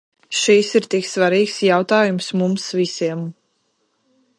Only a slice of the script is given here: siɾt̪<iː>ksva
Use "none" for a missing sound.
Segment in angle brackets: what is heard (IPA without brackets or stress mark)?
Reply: i